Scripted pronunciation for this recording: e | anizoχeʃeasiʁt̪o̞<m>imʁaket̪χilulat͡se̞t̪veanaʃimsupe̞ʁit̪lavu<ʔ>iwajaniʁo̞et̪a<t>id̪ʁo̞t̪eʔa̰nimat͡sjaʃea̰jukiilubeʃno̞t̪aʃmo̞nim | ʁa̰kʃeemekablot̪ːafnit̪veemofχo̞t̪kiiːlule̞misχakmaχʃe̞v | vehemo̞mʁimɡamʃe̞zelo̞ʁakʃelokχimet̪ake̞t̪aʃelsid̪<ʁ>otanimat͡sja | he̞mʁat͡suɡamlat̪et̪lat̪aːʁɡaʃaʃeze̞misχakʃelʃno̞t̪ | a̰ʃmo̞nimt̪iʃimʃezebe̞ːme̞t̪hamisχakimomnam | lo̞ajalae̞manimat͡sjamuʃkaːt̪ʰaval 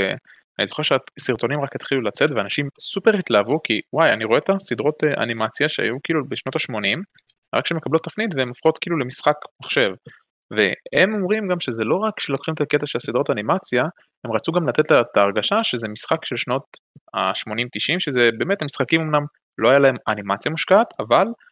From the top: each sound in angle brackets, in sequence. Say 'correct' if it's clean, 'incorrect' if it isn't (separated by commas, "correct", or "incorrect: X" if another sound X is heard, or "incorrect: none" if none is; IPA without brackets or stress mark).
incorrect: n, incorrect: k, incorrect: s, correct